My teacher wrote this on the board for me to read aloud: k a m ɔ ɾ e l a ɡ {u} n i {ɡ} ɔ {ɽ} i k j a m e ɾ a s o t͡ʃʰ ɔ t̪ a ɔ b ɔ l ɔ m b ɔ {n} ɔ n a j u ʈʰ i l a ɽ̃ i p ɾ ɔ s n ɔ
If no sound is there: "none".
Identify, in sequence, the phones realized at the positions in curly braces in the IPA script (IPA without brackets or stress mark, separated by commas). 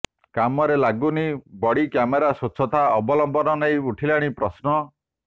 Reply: u, b, ɽ, n